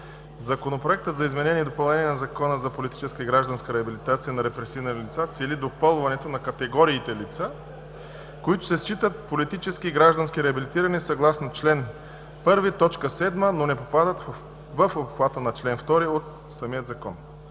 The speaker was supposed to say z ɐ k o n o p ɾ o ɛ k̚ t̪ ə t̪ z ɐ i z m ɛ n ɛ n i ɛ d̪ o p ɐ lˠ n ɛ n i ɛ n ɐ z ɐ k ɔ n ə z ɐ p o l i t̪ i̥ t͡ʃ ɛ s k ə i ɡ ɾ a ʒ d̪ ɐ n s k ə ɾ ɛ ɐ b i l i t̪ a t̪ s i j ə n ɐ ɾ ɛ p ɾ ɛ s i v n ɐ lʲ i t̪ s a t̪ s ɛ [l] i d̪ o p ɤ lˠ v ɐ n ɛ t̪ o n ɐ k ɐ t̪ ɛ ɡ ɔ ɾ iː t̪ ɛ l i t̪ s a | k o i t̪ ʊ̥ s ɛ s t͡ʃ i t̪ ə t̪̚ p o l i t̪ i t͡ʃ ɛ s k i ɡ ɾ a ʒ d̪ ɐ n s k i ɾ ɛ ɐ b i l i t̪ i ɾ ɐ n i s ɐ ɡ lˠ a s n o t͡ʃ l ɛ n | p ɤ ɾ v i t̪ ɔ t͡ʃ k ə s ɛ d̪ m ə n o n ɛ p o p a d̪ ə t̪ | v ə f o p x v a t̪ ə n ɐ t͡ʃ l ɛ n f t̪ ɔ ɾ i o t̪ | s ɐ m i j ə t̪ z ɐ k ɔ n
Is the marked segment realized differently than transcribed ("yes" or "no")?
no